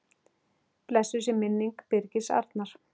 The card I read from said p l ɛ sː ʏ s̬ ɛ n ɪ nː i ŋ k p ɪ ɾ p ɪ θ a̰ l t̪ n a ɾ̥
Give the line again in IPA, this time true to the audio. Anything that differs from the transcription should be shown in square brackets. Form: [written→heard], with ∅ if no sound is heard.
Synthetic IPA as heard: p l ɛ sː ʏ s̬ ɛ [n→m] ɪ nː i ŋ k p ɪ ɾ [p→c] ɪ [θ→s] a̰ [l→ɾ] t̪ n a ɾ̥